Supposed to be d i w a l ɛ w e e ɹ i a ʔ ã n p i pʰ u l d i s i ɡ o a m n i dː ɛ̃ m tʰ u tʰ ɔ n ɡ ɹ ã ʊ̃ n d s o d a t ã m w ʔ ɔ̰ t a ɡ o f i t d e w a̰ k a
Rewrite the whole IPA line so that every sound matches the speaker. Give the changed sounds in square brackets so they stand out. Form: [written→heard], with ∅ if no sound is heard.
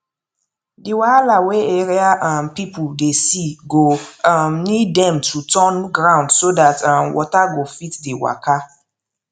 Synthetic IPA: d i w a l [ɛ→a] w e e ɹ i a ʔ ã n p i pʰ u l d [i→e] s i ɡ o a m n i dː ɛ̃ m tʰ u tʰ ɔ n ɡ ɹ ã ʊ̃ n d s o d a t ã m w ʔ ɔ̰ t a ɡ o f i t d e w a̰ k a